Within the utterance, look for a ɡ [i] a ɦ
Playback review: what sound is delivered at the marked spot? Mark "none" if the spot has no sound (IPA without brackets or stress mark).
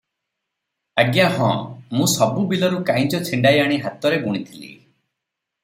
j